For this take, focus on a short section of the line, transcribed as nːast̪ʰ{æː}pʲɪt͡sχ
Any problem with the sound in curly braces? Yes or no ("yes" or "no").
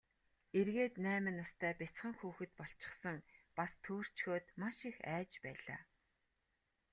no